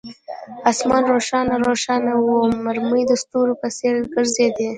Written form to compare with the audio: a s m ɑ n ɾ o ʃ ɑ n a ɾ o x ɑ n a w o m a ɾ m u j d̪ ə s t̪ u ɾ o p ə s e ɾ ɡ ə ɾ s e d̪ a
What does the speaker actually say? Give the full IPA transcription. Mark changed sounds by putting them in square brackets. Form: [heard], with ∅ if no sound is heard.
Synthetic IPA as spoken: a s m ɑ n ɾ o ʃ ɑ n a ɾ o [ʃ] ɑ n a w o m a ɾ m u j d̪ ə s t̪ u ɾ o p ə s e ɾ ɡ ə ɾ [z] e d̪ [e]